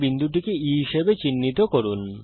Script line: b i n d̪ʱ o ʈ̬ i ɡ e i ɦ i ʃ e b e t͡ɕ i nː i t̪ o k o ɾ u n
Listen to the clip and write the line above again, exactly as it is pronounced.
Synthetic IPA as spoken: b i n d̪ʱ u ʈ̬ i k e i ɦ i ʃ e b e t͡ɕ i nː i t̪ o k o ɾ u n